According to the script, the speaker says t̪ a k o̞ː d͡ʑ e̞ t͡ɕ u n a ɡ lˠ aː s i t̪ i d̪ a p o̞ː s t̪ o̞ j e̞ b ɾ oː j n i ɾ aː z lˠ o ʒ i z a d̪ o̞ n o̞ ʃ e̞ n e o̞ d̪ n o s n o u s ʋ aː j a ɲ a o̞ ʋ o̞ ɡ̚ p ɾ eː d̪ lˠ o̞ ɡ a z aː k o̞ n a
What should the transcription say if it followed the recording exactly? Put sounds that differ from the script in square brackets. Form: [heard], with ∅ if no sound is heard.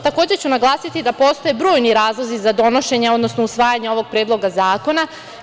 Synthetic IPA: t̪ a k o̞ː d͡ʑ e̞ t͡ɕ u n a ɡ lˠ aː s i t̪ i d̪ a p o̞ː s t̪ o̞ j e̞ b ɾ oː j n i ɾ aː z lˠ o [z] i z a d̪ o̞ n o̞ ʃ e̞ [ɲ] e o̞ d̪ n o s n o u s ʋ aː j a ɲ [e] o̞ ʋ o̞ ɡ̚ p ɾ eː d̪ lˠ o̞ ɡ a z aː k o̞ n a